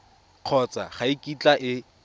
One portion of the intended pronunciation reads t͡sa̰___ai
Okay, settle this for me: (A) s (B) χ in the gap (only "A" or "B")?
B